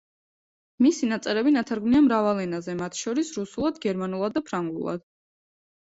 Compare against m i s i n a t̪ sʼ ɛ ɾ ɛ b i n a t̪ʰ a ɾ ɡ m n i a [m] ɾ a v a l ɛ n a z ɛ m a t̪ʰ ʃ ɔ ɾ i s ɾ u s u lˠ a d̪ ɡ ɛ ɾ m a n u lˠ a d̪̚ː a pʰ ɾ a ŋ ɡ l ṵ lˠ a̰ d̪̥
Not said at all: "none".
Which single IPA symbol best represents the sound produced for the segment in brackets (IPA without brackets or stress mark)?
m